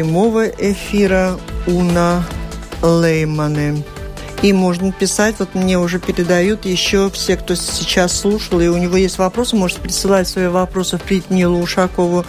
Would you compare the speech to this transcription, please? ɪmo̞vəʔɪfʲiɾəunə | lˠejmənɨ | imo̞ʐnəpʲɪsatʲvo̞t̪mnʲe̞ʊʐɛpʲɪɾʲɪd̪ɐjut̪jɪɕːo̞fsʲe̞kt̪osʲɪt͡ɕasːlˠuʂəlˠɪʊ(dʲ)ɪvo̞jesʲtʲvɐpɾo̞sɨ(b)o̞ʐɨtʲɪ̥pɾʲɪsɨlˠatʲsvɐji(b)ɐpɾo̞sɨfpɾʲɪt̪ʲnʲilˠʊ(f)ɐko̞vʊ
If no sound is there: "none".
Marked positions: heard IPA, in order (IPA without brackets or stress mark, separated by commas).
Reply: nʲ, m, v, ʂ